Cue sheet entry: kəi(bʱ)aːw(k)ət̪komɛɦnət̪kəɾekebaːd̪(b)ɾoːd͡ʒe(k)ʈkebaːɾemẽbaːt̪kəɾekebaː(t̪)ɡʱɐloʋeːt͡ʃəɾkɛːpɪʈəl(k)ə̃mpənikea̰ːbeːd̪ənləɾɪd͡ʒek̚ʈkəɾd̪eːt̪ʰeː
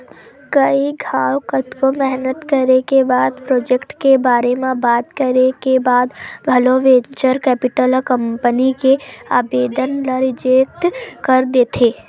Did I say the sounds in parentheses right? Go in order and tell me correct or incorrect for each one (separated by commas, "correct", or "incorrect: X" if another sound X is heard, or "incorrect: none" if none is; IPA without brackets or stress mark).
incorrect: ɡʱ, correct, incorrect: p, correct, incorrect: d̪, correct